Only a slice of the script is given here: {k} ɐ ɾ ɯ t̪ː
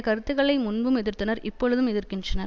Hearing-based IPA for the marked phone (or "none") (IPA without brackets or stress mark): k